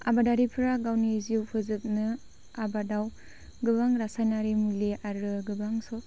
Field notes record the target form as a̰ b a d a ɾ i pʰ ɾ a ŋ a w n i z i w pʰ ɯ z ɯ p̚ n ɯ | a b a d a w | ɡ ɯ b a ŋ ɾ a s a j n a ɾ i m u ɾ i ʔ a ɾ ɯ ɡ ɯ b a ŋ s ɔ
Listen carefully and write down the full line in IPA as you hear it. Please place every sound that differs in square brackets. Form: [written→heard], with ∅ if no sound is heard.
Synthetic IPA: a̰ b a d a ɾ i pʰ ɾ a [ŋ→ɡ] a w n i z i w pʰ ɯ z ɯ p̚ n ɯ | a b a d a w | ɡ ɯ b a ŋ ɾ a s a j n a ɾ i m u [ɾ→l] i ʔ a ɾ ɯ ɡ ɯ b a ŋ s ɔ